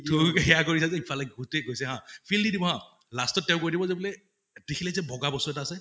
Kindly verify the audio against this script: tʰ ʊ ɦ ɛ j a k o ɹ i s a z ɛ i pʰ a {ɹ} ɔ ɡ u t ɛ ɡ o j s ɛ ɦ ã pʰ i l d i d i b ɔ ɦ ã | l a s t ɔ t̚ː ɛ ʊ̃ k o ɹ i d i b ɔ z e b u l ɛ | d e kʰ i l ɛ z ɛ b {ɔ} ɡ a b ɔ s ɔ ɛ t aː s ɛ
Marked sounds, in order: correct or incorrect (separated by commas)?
incorrect, correct